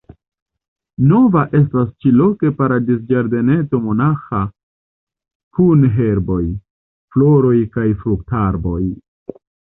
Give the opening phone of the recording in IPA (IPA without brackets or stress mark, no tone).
n